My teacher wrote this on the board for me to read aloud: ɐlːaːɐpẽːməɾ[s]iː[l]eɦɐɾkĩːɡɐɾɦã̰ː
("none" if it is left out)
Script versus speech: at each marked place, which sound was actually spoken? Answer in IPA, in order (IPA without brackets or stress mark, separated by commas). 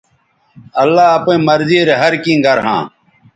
z, ɾ